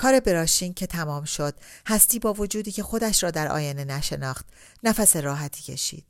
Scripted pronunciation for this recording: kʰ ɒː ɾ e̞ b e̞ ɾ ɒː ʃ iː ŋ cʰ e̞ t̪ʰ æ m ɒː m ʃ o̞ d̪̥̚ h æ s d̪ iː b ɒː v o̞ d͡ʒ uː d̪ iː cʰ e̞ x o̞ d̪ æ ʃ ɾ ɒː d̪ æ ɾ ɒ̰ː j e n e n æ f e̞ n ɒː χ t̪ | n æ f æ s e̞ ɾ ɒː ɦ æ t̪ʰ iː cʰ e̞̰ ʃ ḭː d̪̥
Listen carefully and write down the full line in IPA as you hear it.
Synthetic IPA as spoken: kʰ ɒː ɾ e̞ b e̞ ɾ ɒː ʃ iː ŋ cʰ e̞ t̪ʰ æ m ɒː m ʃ o̞ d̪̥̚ h æ s t̪ iː b ɒː v o̞ d͡ʒ uː d̪ iː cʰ e̞ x o̞ d̪ æ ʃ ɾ ɒː d̪ æ ɾ ɒ̰ː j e n e n æ ʃ e̞ n ɒː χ t̪ | n æ f æ s e̞ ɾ ɒː ɦ æ t̪ʰ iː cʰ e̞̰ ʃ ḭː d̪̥